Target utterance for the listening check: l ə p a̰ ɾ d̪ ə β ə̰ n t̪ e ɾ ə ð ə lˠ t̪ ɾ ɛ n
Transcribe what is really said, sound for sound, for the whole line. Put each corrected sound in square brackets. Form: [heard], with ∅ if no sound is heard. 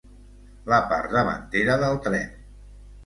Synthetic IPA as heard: l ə p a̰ ɾ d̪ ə β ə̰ n t̪ e ɾ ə ð ə lˠ t̪ ɾ ɛ n